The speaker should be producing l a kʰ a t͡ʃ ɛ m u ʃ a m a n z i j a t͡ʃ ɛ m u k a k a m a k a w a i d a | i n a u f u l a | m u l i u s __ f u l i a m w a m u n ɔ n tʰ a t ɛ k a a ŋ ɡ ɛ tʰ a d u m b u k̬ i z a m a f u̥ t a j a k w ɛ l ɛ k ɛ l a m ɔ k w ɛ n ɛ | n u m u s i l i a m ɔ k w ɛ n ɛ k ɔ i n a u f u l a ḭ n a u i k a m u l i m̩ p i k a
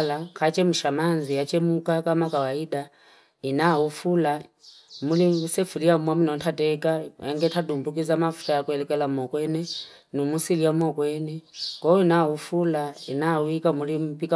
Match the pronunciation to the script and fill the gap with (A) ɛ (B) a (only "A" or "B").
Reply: A